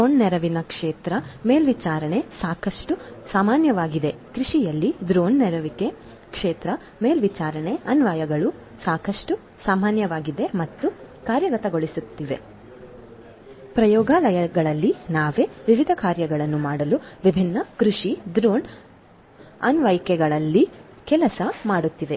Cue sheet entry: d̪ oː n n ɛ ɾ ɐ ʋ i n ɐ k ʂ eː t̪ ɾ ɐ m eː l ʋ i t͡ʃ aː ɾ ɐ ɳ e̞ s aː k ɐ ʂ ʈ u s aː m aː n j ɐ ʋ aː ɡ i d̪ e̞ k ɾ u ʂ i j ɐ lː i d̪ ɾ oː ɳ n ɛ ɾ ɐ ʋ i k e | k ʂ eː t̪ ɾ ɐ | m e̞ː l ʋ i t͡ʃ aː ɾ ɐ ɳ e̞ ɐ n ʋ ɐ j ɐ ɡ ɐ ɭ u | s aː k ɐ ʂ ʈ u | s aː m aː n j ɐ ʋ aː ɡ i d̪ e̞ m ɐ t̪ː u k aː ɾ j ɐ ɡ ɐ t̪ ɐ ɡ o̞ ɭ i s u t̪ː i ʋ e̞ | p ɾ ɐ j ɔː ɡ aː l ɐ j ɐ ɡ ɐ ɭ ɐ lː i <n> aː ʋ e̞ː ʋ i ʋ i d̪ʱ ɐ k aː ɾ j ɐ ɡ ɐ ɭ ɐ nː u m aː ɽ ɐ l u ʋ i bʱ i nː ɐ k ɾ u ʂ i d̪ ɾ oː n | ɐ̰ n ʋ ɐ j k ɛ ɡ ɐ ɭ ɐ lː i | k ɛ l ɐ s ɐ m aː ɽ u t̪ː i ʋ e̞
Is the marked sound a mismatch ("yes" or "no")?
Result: no